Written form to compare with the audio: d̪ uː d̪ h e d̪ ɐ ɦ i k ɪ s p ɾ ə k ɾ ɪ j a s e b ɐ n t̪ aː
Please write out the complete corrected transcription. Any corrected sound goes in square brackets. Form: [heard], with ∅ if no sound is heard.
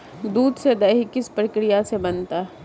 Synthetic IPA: d̪ uː d̪ [s] e d̪ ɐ ɦ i k ɪ s p ɾ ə k ɾ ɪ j a s e b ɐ n t̪ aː